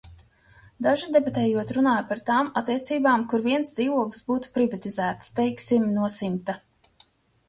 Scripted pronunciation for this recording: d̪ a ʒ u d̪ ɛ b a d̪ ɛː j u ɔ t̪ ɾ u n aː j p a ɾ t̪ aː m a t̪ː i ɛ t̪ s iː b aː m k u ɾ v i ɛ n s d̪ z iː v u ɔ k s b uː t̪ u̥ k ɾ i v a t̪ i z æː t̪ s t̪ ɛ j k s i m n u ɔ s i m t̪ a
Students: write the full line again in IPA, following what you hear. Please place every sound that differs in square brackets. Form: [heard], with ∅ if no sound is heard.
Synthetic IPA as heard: d̪ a ʒ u d̪ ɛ b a [t̪] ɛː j u ɔ t̪ ɾ u n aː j p a ɾ t̪ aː m a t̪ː i ɛ t̪ s iː b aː m k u ɾ v i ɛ n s d̪ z iː v u ɔ k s b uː t̪ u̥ [p] ɾ i v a t̪ i z æː t̪ s t̪ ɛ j k s i m n u ɔ s i m t̪ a